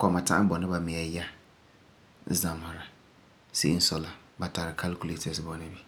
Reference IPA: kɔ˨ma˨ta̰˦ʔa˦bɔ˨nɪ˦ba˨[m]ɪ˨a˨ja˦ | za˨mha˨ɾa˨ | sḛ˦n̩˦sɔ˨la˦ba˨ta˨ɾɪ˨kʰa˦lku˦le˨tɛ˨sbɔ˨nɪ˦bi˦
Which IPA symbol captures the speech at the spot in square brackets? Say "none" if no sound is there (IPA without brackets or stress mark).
m